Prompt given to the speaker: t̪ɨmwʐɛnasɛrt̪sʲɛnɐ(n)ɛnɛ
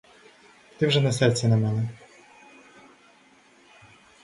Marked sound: incorrect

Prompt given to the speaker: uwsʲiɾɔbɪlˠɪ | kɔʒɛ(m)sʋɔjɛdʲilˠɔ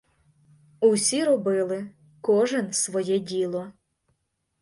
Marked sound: incorrect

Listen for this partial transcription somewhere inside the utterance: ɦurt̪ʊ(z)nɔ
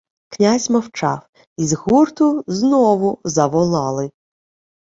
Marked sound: correct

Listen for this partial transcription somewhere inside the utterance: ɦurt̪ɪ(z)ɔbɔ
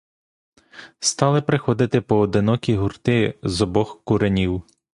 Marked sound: correct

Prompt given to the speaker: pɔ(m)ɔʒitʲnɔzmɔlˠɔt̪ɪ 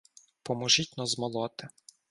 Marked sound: correct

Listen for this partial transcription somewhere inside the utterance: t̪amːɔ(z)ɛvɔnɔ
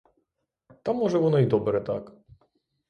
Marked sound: incorrect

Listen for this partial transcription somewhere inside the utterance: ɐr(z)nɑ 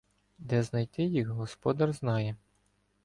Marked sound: correct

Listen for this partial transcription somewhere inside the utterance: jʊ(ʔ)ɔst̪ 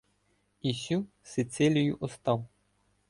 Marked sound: correct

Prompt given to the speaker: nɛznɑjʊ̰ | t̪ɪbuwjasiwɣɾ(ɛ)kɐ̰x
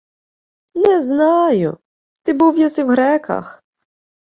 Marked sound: correct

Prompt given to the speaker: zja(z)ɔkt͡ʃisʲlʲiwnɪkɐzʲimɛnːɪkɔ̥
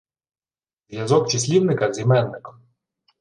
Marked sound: correct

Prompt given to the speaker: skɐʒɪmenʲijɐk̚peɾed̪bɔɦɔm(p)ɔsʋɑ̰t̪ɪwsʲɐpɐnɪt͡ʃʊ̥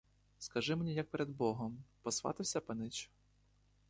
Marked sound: correct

